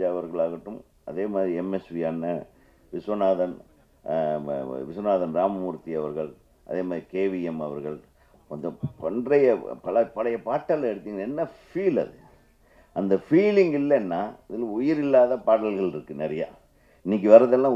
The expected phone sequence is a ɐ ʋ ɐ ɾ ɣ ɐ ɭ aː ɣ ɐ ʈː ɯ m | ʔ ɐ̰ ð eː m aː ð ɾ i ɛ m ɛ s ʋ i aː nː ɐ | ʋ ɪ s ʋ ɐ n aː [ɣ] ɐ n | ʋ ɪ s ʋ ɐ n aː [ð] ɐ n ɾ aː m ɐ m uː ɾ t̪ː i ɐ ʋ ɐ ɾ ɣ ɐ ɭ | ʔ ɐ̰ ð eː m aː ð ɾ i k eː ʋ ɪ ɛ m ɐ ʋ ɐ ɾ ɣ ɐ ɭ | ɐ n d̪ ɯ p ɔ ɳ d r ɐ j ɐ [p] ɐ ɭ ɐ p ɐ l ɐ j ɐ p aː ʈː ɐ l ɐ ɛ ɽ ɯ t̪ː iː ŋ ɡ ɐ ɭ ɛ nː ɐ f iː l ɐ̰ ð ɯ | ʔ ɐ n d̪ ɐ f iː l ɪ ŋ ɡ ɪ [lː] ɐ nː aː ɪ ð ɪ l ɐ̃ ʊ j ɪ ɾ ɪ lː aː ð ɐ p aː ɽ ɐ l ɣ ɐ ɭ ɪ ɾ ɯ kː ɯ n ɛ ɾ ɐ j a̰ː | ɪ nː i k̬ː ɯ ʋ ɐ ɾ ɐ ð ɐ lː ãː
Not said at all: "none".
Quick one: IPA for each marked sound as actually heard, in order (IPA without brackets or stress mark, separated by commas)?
ð, ð, p, lː